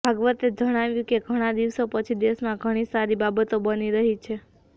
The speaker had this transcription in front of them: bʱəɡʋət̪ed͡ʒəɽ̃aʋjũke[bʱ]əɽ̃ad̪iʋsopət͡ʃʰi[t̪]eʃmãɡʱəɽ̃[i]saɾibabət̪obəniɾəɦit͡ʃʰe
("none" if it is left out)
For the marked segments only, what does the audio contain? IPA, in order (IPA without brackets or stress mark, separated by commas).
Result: ɡʱ, d̪, i